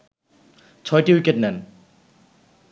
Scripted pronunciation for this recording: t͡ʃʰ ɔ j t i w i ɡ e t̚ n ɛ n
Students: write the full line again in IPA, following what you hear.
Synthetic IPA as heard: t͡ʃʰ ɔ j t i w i k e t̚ n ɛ n